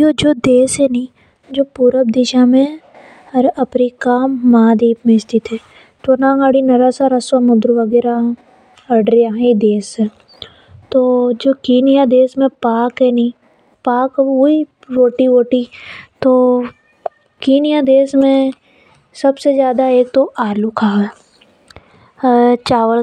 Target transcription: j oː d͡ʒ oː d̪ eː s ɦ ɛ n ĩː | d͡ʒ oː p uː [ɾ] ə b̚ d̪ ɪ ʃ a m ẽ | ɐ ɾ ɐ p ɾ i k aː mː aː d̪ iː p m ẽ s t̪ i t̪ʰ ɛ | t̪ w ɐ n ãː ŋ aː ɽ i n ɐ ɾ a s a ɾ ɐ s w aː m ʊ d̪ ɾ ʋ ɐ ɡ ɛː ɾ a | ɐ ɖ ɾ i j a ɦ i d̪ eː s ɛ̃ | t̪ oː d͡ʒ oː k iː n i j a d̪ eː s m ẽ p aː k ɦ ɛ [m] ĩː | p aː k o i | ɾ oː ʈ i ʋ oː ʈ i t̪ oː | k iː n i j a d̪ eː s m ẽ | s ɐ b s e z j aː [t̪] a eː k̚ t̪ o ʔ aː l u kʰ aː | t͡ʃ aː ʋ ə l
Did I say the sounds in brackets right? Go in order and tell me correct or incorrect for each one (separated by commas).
correct, incorrect, incorrect